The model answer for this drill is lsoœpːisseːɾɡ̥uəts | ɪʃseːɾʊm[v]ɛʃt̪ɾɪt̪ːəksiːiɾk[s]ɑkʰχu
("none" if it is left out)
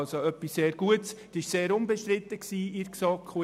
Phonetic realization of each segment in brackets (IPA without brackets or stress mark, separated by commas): b, s